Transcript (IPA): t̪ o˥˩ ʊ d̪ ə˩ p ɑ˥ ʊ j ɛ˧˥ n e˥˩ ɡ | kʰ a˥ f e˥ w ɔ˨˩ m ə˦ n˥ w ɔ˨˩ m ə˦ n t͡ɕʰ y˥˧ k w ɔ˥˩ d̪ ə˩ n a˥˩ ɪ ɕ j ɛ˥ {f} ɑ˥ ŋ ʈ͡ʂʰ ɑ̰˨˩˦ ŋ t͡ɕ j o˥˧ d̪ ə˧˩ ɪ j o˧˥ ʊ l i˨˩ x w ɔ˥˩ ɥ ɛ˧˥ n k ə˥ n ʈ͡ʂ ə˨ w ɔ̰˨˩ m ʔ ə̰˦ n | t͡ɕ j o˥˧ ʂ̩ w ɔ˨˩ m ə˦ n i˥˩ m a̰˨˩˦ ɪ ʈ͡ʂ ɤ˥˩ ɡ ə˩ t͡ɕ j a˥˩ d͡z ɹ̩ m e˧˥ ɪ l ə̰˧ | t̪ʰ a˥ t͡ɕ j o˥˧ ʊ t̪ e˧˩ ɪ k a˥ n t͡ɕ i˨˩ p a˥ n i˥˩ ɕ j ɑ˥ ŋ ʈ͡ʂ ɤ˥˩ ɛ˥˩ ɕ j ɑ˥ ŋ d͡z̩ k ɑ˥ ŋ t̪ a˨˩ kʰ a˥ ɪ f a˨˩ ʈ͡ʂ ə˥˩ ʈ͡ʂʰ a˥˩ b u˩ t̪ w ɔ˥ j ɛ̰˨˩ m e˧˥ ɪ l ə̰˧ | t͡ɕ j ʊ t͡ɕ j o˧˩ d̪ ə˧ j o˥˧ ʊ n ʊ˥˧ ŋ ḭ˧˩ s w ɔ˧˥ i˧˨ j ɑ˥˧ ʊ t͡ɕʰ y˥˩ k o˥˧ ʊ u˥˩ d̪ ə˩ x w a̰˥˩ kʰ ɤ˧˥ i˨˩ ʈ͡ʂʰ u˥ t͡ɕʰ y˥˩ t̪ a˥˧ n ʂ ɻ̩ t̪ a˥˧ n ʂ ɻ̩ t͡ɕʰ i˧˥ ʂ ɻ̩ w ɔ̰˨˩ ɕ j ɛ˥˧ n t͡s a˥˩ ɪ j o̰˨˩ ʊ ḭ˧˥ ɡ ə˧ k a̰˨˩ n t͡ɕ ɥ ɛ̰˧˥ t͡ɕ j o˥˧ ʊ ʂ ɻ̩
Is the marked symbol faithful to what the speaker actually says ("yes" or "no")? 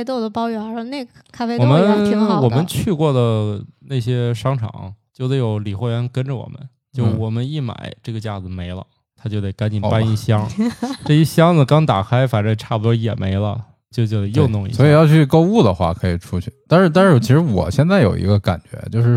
no